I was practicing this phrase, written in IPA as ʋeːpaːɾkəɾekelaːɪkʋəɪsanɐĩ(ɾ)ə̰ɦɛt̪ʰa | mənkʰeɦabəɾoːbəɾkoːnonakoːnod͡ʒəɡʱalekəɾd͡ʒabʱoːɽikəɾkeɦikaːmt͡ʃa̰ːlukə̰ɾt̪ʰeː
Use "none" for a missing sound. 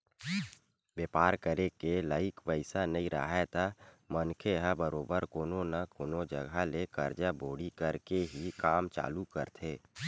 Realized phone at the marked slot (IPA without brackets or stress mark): ɾ